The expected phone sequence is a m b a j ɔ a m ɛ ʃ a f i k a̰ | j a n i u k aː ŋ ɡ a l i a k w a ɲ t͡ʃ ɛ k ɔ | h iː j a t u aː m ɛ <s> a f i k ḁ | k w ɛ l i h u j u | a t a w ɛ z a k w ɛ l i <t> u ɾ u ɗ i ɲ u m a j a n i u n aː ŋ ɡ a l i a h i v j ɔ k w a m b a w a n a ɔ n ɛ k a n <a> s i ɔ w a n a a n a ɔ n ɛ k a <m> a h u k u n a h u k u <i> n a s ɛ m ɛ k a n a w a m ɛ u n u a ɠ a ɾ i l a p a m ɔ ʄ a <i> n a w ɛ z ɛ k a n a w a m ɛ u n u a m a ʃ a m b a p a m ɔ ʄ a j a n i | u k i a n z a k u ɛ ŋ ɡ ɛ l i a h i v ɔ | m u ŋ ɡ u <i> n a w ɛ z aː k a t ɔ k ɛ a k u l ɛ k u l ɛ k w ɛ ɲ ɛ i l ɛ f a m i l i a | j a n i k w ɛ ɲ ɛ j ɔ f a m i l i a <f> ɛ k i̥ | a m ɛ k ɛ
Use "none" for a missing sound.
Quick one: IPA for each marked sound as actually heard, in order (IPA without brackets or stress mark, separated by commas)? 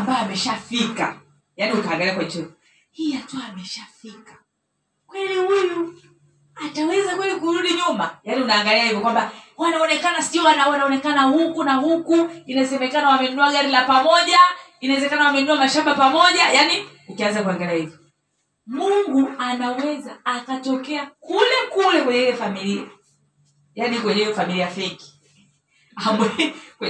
ʃ, k, a, n, i, i, a, f